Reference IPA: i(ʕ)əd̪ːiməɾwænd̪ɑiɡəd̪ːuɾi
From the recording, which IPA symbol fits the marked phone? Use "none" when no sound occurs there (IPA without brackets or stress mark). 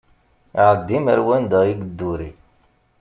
ʕ